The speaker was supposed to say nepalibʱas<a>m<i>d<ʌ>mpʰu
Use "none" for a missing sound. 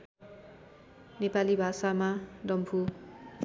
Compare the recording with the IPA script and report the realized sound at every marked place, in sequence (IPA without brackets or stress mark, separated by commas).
a, a, ʌ